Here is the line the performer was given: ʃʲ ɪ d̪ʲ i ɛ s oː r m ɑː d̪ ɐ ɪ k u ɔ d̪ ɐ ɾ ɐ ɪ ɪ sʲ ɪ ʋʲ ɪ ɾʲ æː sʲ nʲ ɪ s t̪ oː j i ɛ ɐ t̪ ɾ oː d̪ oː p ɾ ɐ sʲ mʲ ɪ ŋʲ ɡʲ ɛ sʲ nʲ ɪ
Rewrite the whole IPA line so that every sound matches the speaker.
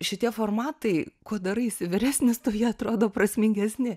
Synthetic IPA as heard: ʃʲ ɪ t̪ʲ i ɛ f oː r m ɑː t̪ ɐ ɪ k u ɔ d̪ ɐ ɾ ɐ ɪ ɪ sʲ ɪ ʋʲ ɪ ɾʲ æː sʲ nʲ ɪ s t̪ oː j i ɛ ɐ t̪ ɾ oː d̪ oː p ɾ ɐ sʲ mʲ ɪ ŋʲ ɡʲ ɛ sʲ nʲ ɪ